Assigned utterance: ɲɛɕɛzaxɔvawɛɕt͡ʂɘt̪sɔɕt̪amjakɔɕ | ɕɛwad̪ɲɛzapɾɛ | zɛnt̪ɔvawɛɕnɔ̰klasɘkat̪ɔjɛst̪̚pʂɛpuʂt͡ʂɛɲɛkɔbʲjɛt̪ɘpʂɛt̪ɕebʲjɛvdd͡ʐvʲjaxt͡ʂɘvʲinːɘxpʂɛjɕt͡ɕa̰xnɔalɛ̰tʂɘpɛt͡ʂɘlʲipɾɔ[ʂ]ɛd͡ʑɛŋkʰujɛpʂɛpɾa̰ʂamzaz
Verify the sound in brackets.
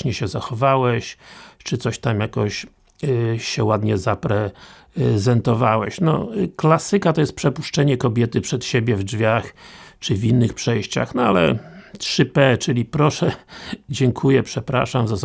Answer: correct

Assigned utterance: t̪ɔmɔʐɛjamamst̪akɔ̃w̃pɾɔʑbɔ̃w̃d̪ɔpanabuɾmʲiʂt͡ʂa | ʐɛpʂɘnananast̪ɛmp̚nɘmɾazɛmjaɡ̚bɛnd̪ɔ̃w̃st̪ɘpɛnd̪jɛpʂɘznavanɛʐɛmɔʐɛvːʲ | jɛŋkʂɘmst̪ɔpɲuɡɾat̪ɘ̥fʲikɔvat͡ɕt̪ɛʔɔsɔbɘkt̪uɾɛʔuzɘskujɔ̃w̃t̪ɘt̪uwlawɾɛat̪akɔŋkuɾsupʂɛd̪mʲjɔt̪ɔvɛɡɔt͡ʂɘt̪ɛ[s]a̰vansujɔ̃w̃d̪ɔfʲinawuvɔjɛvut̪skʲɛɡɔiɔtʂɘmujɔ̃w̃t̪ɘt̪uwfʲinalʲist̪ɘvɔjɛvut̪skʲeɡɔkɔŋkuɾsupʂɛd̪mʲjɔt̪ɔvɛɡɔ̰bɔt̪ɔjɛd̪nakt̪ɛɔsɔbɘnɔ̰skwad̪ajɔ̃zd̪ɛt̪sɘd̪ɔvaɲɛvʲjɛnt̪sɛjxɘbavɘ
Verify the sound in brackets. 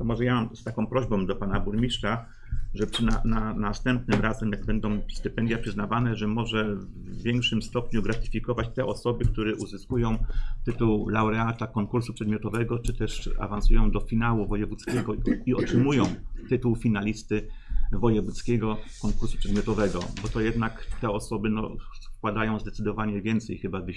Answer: incorrect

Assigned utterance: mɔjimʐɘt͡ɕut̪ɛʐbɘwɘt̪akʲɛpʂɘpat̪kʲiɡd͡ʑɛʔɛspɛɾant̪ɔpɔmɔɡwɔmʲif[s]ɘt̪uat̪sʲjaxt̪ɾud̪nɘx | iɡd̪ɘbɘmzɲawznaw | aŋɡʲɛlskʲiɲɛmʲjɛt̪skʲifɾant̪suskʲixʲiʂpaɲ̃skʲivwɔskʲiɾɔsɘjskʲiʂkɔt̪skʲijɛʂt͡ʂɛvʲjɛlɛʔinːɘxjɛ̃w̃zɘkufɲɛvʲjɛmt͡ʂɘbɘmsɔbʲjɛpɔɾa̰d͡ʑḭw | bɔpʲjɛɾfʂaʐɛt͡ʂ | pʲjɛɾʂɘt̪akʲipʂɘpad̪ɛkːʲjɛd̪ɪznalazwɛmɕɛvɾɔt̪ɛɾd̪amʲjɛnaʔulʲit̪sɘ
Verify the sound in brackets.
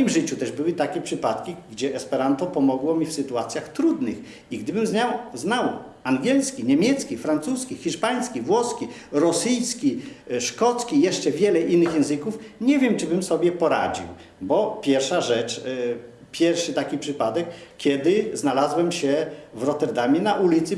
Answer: correct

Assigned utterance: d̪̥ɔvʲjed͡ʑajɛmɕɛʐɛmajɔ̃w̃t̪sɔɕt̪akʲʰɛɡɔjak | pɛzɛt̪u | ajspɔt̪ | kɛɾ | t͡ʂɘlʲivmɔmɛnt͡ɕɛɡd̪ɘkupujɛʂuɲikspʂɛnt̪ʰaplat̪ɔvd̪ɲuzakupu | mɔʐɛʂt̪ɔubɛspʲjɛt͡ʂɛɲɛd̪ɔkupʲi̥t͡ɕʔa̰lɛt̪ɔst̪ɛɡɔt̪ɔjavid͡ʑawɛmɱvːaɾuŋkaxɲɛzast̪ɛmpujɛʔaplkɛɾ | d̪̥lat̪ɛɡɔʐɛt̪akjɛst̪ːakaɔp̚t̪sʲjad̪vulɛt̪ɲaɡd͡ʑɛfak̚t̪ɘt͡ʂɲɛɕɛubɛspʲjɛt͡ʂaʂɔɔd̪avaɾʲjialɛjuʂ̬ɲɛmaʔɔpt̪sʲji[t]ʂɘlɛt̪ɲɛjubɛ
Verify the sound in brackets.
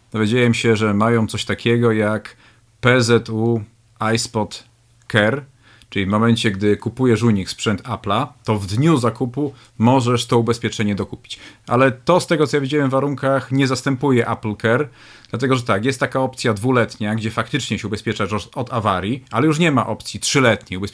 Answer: correct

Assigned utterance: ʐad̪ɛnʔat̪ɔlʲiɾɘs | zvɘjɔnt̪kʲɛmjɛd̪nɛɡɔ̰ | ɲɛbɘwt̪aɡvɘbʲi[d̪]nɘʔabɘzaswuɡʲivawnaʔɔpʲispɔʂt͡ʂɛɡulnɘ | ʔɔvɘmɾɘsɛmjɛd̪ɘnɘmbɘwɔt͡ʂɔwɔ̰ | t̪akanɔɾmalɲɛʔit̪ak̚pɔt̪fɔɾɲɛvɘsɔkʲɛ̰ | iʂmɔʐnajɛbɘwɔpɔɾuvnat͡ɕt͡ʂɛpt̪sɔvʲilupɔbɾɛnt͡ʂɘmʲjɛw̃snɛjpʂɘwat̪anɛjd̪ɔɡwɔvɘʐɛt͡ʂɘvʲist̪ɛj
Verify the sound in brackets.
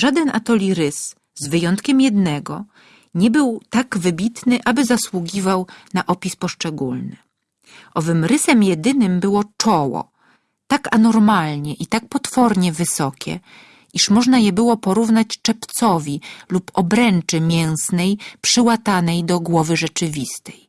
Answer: incorrect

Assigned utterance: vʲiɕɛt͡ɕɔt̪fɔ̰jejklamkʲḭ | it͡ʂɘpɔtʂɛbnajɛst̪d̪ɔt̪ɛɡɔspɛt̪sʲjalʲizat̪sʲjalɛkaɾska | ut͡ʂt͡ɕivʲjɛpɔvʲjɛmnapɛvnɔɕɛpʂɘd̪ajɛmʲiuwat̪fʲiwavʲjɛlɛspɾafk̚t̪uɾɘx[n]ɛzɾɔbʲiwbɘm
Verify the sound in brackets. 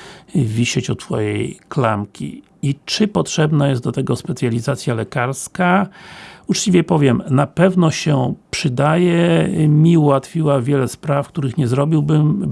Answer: incorrect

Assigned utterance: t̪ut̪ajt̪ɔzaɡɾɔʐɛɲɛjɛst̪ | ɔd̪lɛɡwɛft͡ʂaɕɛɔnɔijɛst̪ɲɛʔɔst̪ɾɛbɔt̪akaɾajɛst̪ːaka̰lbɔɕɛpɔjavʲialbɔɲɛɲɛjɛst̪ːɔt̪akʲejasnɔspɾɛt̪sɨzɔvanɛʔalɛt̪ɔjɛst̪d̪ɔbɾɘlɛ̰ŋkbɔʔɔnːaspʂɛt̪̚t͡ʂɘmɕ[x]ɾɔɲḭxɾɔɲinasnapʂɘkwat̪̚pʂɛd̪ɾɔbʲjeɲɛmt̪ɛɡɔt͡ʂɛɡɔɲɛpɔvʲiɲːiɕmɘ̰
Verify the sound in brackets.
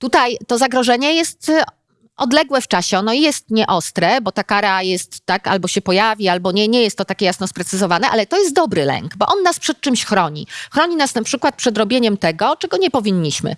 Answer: correct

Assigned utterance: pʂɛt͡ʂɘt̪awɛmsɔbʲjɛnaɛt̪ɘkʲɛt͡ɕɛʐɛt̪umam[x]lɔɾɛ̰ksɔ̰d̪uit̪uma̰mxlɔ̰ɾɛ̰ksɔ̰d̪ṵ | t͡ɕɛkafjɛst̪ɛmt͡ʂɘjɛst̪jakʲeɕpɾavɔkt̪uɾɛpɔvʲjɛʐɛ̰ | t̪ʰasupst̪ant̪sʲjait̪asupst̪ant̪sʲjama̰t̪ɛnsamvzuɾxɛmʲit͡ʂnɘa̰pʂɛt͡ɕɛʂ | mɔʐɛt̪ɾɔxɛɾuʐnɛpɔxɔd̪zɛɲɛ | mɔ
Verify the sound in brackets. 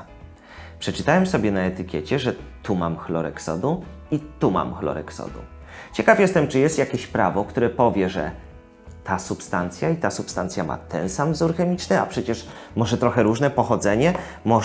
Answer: correct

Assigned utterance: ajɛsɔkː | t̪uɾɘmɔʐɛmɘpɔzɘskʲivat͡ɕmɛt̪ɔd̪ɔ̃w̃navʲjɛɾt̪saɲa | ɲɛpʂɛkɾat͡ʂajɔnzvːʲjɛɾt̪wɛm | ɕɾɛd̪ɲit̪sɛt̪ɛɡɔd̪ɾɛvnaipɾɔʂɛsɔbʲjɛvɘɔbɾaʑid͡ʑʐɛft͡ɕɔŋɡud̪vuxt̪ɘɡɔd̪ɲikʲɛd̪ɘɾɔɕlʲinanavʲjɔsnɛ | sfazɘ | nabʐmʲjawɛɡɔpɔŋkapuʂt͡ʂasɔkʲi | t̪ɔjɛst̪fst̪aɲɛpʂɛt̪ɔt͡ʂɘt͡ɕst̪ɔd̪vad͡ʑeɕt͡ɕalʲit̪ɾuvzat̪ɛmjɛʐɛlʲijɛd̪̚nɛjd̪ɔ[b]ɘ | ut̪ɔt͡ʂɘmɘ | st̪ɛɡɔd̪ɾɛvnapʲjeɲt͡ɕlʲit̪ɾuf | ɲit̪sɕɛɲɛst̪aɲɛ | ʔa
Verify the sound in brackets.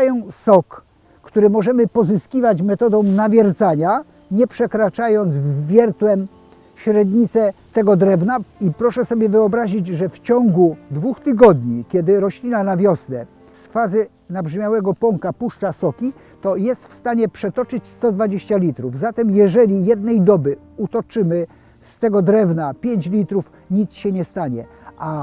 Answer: correct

